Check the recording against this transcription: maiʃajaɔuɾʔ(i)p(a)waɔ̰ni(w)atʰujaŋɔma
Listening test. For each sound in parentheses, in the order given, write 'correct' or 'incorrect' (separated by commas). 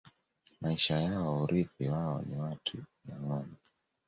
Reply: correct, incorrect, correct